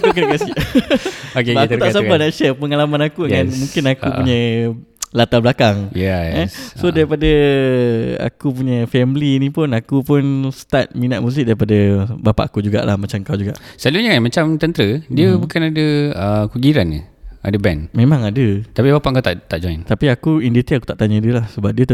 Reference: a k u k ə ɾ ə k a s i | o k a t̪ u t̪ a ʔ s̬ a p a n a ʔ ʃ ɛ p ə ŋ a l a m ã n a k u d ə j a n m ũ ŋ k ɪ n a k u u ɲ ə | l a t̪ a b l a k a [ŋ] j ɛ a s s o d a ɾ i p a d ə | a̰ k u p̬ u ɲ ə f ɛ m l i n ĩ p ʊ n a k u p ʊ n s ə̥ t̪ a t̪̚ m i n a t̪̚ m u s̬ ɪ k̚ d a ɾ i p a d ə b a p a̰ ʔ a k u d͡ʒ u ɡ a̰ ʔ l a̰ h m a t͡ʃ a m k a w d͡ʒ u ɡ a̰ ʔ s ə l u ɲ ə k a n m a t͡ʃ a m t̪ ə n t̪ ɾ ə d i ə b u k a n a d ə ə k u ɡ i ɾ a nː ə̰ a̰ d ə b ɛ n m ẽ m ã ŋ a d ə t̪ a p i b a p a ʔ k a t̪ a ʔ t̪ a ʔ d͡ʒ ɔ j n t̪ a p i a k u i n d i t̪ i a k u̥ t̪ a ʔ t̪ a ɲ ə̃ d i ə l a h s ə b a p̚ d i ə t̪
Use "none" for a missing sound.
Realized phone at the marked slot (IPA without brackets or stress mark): ŋ